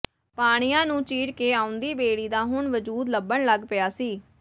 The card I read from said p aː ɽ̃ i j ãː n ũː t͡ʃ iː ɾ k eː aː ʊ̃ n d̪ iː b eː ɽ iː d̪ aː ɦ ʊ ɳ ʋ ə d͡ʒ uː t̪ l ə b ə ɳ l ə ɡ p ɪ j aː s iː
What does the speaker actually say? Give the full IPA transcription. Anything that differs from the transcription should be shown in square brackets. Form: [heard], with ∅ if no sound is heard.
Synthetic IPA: p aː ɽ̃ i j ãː n ũː t͡ʃ iː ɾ k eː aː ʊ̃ n d̪ iː b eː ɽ iː d̪ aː ɦ ʊ ɳ ʋ ə d͡ʒ uː [d̪] l ə b ə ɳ l ə ɡ p ɪ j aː s iː

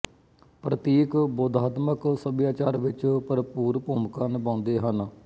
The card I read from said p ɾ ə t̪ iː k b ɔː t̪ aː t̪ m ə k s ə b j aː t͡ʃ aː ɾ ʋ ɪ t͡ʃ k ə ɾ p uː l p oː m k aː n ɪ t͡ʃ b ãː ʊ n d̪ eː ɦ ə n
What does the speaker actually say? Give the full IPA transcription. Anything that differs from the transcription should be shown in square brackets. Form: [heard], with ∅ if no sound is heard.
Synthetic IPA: p ɾ ə t̪ iː k b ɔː [d̪] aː t̪ m ə k s ə b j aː t͡ʃ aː ɾ ʋ ɪ t͡ʃ [p] ə ɾ p uː [ɾ] p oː m k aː n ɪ [∅] b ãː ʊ n d̪ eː ɦ ə n

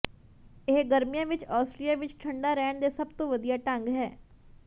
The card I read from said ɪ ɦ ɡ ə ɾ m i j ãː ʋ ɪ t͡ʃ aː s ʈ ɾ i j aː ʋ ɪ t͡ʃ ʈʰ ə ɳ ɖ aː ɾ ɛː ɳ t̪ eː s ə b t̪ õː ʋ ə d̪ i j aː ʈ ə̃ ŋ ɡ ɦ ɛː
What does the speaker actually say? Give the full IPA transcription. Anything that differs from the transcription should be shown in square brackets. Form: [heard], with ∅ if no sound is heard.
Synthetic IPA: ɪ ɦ ɡ ə ɾ m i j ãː ʋ ɪ t͡ʃ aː s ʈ ɾ i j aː ʋ ɪ t͡ʃ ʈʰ ə ɳ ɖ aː ɾ ɛː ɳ [d̪] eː s ə b t̪ õː ʋ ə d̪ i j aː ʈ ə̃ ŋ ɡ ɦ ɛː

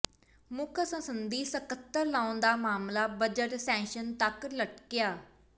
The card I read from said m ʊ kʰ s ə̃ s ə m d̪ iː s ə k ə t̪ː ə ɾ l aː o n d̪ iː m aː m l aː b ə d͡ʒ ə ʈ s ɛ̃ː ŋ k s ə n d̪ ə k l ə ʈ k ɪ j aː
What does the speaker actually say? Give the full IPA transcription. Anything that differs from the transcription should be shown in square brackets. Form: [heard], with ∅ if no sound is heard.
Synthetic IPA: m ʊ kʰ s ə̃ s ə [n] d̪ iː s ə k ə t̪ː ə ɾ l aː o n d̪ [aː] m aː m l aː b ə d͡ʒ ə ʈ s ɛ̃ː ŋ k [ʃ] ə n [t̪] ə k l ə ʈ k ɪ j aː

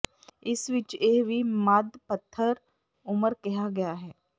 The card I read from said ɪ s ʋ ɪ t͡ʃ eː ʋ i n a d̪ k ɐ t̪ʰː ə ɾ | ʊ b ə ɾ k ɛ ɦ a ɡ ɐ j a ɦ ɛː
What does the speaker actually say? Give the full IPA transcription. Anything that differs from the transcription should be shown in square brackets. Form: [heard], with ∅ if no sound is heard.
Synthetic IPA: ɪ s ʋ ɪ t͡ʃ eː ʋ i [m] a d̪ [p] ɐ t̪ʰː ə ɾ | ʊ [m] ə ɾ k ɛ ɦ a ɡ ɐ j a ɦ ɛː

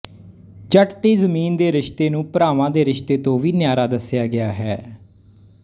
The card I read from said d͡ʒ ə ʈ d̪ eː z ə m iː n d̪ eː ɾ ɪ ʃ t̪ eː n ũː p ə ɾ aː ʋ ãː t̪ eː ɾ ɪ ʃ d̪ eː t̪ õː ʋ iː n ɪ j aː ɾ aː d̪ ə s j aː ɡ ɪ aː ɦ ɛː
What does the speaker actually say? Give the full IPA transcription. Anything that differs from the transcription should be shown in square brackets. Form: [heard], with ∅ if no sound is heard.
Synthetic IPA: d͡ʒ ə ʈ [t̪] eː z ə m iː n d̪ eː ɾ ɪ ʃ t̪ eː n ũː p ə ɾ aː ʋ ãː [d̪] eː ɾ ɪ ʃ [t̪] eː t̪ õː ʋ iː n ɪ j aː ɾ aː d̪ ə s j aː ɡ ɪ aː ɦ ɛː

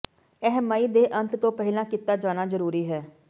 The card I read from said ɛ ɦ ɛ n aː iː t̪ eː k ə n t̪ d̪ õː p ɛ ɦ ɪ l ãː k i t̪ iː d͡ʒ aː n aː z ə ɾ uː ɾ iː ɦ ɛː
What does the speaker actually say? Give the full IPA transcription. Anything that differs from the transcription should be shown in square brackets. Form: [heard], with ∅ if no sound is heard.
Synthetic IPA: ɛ ɦ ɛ [m] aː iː [d̪] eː [ʔ] ə n t̪ [t̪] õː p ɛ ɦ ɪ l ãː k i t̪ [aː] d͡ʒ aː n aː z ə ɾ uː ɾ iː ɦ ɛː

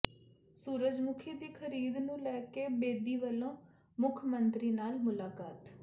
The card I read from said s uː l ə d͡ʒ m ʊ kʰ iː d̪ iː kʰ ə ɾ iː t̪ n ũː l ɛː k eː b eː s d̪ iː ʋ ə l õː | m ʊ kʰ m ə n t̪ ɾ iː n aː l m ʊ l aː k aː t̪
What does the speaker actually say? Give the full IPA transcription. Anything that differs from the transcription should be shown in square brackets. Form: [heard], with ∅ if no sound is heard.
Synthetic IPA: s uː [ɾ] ə d͡ʒ m ʊ kʰ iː d̪ iː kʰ ə ɾ iː [d̪] n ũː l ɛː k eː b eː [∅] d̪ iː ʋ ə l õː | m ʊ kʰ m ə n t̪ ɾ iː n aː l m ʊ l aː k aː t̪

